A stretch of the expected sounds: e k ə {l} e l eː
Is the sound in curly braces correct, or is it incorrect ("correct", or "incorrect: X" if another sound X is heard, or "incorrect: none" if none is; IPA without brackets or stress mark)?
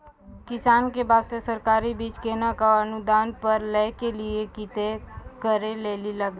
incorrect: ɾ